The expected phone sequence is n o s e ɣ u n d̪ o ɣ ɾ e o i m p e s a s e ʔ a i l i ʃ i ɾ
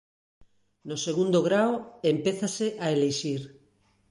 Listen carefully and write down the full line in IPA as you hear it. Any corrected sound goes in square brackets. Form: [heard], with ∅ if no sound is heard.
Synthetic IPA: n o s e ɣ u n d̪ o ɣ ɾ [a] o [e] m p e [θ] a s e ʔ a [e] l [e] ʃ i ɾ